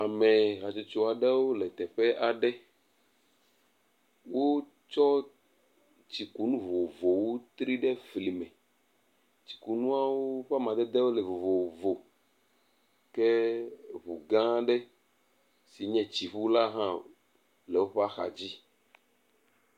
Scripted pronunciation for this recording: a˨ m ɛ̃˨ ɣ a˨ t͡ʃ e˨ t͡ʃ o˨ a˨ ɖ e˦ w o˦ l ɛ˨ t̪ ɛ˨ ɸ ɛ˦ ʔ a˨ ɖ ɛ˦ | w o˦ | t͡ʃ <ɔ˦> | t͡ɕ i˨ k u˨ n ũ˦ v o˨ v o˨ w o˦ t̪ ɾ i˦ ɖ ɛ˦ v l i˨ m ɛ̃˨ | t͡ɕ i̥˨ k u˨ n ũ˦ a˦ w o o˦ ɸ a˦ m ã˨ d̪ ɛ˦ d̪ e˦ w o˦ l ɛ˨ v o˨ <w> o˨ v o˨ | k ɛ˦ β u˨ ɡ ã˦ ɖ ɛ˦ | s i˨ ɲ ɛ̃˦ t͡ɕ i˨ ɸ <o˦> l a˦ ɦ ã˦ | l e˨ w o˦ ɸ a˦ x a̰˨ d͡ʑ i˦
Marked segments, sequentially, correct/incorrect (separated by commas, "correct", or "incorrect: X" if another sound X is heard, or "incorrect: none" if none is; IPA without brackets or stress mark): correct, incorrect: v, incorrect: u˦